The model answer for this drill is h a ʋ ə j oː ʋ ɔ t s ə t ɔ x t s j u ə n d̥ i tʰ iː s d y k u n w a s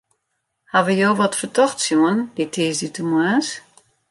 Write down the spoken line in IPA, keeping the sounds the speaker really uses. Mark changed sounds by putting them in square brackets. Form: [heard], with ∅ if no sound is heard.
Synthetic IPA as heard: h a ʋ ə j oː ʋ ɔ t [f] ə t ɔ x t s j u ə n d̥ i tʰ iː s d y [t] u [m] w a s